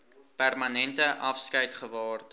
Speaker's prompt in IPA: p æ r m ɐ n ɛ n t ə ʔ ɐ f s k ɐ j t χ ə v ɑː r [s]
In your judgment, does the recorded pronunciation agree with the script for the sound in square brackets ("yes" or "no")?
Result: no